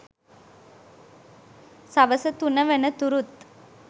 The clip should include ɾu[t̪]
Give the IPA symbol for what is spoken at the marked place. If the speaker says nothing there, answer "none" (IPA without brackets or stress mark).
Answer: t̪